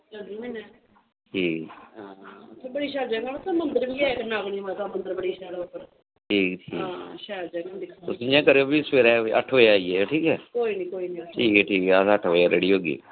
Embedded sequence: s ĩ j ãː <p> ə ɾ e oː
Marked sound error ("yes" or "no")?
yes